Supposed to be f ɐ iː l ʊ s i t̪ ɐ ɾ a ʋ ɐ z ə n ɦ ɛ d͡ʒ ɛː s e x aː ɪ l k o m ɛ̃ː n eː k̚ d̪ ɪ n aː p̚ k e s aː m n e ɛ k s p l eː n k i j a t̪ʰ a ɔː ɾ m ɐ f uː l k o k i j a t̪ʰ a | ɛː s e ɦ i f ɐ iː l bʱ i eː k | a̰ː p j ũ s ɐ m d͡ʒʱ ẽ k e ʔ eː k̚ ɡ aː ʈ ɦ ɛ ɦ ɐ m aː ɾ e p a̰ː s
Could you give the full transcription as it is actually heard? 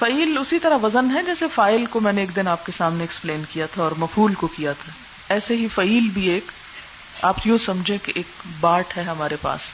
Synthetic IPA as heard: f ɐ iː l ʊ s i t̪ ɐ ɾ a ʋ ɐ z ə n ɦ ɛ d͡ʒ ɛː s e f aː ɪ l k o m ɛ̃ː n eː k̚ d̪ ɪ n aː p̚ k e s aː m n e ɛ k s p l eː n k i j a t̪ʰ a ɔː ɾ m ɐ f uː l k o k i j a t̪ʰ a | ɛː s e ɦ i f ɐ iː l bʱ i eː k | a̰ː p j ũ s ɐ m d͡ʒʱ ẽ k e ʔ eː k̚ b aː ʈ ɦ ɛ ɦ ɐ m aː ɾ e p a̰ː s